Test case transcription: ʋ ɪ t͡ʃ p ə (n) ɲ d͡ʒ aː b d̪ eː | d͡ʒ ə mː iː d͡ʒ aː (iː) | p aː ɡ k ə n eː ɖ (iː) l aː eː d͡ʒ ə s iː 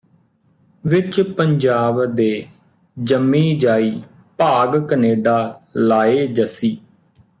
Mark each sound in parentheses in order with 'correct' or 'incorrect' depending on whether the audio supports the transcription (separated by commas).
incorrect, correct, incorrect